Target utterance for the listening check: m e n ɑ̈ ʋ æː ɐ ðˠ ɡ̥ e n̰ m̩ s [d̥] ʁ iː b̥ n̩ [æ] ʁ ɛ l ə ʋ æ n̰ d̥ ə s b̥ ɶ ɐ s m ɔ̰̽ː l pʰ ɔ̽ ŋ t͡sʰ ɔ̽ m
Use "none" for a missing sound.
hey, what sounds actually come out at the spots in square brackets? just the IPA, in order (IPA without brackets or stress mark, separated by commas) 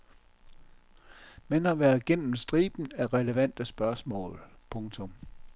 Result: d̥, æ